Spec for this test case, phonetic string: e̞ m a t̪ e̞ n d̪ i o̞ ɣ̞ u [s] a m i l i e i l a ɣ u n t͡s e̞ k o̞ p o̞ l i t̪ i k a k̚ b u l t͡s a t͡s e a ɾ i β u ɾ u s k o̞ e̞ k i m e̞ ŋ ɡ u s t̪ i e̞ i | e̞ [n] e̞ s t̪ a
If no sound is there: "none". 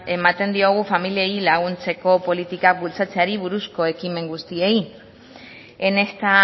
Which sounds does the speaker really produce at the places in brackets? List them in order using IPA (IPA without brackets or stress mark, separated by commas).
f, n